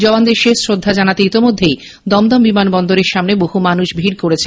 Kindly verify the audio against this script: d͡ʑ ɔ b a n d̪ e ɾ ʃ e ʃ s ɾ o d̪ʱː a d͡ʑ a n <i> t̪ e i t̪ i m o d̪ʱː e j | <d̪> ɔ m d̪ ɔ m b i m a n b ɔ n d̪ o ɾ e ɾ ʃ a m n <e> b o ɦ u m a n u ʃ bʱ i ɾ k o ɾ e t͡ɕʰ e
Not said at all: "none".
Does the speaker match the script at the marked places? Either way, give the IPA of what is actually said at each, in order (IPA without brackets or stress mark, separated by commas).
a, d̪, e